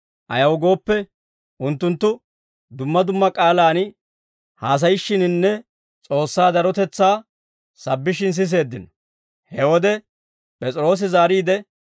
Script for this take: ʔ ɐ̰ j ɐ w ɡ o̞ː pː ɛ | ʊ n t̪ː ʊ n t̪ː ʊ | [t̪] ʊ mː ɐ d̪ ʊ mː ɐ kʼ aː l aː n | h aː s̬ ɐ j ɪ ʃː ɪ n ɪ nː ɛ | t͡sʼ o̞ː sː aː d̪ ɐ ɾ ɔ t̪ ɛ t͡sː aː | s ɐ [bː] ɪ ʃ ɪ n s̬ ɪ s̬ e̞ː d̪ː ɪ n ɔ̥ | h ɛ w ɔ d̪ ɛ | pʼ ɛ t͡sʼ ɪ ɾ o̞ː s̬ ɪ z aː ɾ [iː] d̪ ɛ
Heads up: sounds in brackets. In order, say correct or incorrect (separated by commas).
incorrect, correct, correct